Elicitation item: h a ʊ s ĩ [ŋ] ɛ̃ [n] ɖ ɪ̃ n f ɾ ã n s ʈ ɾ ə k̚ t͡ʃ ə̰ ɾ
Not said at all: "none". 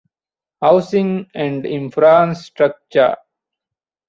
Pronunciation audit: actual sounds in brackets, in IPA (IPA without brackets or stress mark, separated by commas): ŋ, ɳ